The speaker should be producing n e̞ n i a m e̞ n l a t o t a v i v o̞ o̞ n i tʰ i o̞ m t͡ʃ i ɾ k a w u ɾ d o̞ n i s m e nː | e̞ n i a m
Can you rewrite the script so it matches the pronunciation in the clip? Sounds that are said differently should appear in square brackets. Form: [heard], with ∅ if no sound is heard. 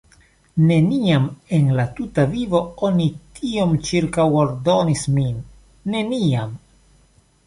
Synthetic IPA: n e̞ n i a m e̞ n l a t [u] t a v i v o̞ o̞ n i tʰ i o̞ m t͡ʃ i ɾ k a w [o] ɾ d o̞ n i s m [i] nː | e̞ n i a m